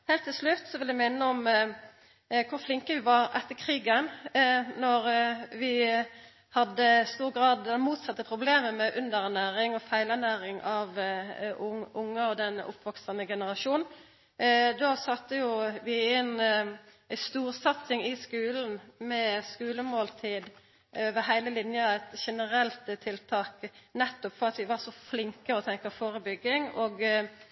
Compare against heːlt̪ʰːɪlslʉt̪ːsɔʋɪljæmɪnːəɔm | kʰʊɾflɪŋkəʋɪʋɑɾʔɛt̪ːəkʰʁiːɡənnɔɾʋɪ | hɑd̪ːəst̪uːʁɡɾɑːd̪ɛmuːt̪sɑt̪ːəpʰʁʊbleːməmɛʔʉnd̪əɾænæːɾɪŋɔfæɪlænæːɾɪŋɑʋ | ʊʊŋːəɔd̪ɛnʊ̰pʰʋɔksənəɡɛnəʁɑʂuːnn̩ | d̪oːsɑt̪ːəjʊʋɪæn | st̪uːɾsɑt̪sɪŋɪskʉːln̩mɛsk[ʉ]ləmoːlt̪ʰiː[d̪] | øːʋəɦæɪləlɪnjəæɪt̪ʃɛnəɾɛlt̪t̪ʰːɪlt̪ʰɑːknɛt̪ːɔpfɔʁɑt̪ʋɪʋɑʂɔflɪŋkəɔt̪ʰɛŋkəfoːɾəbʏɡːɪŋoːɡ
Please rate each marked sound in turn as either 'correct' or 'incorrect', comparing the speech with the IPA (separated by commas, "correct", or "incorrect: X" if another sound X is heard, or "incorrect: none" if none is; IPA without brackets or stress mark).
incorrect: ʉː, correct